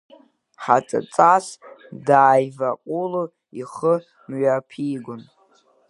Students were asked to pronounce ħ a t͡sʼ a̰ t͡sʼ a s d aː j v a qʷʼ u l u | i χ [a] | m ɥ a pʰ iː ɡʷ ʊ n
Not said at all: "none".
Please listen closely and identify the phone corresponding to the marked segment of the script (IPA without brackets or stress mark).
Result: ə